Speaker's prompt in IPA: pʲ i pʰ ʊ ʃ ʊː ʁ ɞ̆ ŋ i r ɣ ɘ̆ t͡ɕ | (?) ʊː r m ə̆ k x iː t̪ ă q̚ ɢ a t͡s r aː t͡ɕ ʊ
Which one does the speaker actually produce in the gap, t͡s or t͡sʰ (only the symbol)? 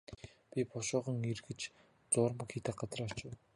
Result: t͡s